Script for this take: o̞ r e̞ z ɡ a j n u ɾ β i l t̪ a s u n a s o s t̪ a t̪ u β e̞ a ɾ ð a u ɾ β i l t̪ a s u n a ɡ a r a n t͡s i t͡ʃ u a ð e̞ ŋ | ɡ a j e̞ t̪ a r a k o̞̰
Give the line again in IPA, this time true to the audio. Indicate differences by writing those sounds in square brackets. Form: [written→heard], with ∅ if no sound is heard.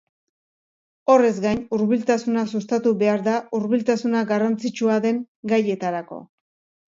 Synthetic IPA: o̞ r e̞ z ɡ a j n u ɾ β i l t̪ a s u n a s [o→u] s t̪ a t̪ u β e̞ a ɾ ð a u ɾ β i l t̪ a s u n a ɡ a r a n t͡s i t͡ʃ u a ð e̞ ŋ | ɡ a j e̞ t̪ a [r→ɾ] a k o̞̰